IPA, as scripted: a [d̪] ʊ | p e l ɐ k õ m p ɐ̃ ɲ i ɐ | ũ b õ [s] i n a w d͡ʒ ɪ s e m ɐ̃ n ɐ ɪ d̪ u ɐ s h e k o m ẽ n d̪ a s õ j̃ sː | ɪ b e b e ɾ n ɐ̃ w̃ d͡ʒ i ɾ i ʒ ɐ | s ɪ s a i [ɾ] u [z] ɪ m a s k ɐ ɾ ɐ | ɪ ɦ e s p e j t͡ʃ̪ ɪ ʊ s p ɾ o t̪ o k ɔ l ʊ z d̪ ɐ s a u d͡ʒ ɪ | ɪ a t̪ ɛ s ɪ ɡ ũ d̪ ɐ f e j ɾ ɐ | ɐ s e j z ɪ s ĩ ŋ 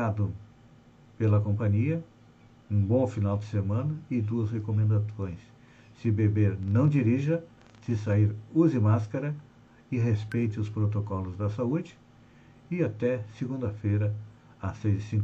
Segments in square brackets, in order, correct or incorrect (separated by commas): correct, incorrect, correct, correct